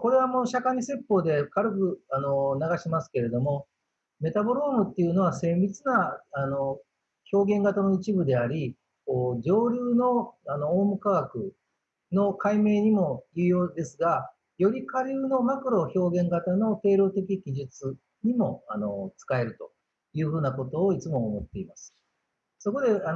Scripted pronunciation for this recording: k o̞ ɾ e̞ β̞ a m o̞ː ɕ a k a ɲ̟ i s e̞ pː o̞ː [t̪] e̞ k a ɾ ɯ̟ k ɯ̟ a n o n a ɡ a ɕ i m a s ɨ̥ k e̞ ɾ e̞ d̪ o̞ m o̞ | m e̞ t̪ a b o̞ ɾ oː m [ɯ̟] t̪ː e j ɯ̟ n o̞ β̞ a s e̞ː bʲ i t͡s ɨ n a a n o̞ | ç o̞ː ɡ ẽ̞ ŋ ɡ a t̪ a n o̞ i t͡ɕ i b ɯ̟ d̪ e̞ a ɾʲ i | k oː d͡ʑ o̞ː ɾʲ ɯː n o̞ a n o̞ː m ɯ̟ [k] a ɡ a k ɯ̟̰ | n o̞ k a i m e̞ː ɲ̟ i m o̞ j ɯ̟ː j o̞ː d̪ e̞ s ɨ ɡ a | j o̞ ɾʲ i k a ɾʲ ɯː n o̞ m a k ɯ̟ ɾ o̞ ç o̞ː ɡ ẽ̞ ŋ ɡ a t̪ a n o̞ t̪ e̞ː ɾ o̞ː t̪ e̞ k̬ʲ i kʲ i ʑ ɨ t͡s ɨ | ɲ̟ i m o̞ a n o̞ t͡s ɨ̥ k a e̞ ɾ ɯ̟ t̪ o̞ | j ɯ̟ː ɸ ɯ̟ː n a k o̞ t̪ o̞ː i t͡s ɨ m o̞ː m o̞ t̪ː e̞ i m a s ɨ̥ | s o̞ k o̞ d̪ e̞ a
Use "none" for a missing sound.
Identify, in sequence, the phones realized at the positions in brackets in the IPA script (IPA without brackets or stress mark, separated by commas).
d̪, ɯ̟, k